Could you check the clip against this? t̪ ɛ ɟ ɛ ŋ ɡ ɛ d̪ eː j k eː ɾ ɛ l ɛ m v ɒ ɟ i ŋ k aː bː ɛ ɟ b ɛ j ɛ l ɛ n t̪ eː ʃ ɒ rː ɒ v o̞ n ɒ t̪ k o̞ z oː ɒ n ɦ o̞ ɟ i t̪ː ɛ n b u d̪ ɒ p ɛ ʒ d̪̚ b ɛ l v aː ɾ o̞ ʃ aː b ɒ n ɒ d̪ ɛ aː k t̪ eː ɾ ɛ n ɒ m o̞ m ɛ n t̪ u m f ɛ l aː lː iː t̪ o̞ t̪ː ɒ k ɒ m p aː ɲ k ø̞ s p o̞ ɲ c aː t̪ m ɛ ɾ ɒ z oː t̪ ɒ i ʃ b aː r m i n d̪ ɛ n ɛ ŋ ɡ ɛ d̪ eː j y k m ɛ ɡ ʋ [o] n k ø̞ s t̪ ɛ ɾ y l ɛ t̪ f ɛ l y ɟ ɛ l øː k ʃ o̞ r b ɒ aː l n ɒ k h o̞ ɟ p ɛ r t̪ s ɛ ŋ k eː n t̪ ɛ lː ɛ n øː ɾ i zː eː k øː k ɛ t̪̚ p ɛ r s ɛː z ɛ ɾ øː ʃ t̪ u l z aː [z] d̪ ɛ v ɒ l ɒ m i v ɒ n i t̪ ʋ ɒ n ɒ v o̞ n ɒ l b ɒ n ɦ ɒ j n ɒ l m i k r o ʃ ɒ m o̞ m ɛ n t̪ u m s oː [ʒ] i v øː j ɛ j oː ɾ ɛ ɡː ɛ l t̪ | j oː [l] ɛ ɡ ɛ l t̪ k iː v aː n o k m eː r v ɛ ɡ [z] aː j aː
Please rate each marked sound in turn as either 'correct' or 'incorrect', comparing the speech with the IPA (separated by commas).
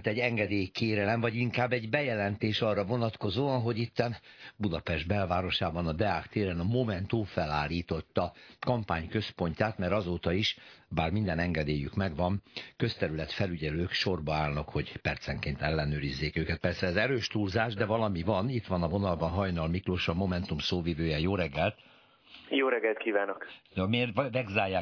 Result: incorrect, incorrect, incorrect, incorrect, correct